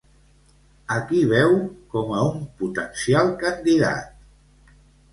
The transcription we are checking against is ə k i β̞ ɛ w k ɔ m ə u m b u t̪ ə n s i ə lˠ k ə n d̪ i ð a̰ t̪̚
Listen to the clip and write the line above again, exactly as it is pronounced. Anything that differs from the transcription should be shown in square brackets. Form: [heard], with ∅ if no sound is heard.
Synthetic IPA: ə k i β̞ ɛ w k ɔ m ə u m [p] u t̪ ə n s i [a] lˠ k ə n d̪ i ð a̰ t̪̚